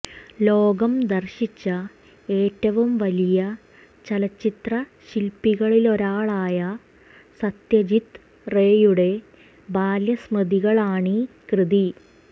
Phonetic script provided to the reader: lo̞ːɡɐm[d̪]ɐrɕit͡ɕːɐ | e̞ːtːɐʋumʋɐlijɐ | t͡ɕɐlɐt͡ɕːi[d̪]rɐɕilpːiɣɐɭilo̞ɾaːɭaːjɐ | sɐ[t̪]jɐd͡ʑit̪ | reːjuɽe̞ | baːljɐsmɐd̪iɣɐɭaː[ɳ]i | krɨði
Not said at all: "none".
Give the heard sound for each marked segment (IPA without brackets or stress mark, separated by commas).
d̪, t̪, t̪, ɳ